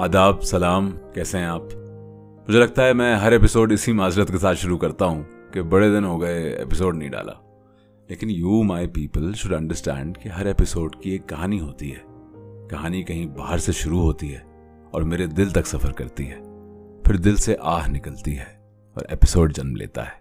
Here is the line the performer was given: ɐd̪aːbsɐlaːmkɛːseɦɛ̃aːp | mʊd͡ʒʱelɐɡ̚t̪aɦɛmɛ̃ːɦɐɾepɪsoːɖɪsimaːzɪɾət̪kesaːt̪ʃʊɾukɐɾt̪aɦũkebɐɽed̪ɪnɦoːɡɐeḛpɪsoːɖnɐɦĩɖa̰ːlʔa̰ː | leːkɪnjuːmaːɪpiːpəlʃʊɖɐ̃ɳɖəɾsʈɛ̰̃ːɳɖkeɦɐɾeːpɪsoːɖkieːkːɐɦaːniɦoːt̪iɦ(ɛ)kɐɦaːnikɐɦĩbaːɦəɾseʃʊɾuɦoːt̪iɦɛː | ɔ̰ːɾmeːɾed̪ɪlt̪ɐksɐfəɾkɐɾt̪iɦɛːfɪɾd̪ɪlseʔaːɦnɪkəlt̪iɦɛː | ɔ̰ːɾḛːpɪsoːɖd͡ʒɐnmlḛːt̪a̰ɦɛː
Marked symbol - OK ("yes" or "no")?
no